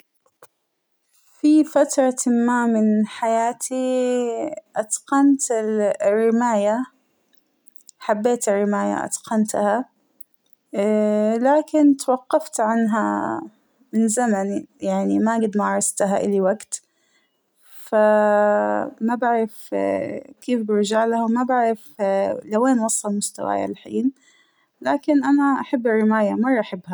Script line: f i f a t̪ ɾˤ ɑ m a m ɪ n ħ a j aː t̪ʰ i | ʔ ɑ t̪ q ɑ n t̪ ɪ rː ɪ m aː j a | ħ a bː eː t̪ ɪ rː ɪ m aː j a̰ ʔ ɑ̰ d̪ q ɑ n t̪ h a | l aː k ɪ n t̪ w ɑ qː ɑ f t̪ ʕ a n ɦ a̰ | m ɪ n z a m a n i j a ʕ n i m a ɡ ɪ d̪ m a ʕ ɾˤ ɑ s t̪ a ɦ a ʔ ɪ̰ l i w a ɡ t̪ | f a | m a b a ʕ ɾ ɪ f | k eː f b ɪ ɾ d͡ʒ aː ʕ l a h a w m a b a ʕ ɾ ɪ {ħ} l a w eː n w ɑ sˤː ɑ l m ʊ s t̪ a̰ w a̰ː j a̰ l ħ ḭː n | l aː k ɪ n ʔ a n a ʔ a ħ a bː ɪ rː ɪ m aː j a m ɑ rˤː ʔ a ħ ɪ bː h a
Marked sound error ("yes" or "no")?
yes